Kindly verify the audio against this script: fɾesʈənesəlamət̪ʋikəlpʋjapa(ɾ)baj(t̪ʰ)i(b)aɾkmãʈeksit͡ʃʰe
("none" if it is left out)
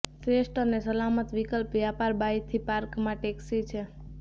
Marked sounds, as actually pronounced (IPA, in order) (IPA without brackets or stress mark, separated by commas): ɾ, t̪ʰ, p